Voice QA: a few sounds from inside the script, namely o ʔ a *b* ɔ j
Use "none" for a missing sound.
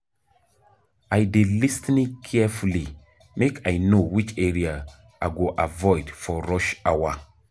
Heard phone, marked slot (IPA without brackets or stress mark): v